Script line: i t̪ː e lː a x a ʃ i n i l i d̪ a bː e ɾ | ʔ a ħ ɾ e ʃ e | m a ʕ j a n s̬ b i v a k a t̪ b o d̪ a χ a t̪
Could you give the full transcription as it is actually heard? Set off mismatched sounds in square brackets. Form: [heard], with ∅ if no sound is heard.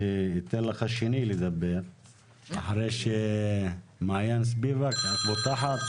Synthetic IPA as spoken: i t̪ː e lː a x a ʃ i n i l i d̪ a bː e ɾ | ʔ a ħ ɾ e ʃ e | m a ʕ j a n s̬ b i v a k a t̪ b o [t̪] a [ħ] a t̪